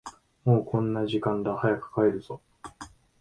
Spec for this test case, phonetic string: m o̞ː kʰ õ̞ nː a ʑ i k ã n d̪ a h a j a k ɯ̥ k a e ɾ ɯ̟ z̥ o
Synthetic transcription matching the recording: m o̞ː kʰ õ̞ nː a ʑ i k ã n d̪ a h a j a k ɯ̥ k a e ɾ ɯ̟ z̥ o